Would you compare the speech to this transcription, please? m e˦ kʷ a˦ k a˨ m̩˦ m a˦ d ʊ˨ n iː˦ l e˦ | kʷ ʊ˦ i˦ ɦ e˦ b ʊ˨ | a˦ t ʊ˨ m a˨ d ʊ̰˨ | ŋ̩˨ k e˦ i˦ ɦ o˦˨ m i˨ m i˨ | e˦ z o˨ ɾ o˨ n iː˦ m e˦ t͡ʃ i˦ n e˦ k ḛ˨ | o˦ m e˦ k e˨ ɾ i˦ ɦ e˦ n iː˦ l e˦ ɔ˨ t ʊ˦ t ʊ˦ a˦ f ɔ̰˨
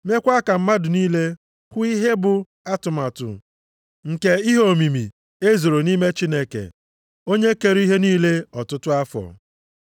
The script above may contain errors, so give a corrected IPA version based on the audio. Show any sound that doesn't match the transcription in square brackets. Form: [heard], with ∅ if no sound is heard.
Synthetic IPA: m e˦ kʷ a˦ k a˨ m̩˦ m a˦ d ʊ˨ n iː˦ l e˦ | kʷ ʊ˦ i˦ ɦ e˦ b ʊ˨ | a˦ t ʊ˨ m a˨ [t] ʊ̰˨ | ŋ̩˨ k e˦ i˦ ɦ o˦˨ m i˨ m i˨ | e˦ z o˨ ɾ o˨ n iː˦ m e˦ t͡ʃ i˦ n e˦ k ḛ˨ | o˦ [ɲ] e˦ k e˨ ɾ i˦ ɦ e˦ n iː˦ l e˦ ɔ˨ t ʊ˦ t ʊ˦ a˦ f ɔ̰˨